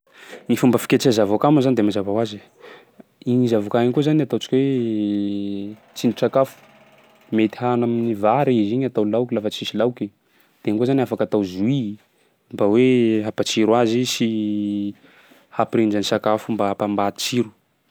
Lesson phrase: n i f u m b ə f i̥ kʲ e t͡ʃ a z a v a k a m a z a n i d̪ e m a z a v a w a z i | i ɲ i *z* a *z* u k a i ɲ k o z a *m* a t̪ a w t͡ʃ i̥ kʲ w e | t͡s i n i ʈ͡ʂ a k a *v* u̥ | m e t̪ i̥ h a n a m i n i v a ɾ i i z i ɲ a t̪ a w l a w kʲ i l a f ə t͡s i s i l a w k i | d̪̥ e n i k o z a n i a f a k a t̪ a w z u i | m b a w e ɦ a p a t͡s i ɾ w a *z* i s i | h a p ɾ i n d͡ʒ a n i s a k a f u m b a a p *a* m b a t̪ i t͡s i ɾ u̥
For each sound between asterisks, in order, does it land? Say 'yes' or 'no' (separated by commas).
yes, no, no, no, yes, yes